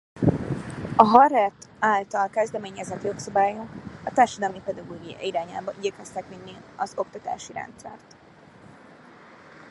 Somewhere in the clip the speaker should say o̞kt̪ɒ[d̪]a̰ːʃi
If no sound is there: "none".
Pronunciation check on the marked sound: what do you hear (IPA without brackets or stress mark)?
t̪